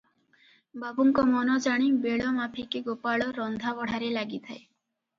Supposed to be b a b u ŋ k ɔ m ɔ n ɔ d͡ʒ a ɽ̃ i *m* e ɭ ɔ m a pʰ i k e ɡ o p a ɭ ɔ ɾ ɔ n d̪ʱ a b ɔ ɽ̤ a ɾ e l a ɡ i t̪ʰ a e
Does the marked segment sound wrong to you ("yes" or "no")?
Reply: yes